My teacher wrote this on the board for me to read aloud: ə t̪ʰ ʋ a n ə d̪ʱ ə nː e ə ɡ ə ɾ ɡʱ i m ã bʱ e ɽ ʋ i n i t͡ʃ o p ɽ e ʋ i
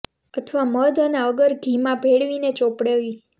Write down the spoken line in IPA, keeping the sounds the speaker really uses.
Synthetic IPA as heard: ə t̪ʰ ʋ a m ə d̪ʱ ə n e ə ɡ ə ɾ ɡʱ i m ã bʱ e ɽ ʋ i n e t͡ʃ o p ɽ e ʋ i